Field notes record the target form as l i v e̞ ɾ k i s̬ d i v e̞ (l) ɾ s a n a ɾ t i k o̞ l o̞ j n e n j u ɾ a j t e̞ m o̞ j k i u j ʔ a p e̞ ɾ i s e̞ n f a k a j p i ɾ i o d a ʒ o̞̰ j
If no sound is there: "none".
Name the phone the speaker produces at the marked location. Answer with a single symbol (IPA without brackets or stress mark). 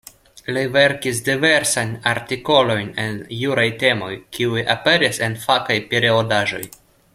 none